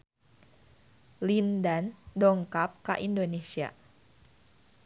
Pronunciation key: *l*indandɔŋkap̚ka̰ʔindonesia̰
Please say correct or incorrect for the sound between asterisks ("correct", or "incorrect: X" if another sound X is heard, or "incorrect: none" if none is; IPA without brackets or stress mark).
correct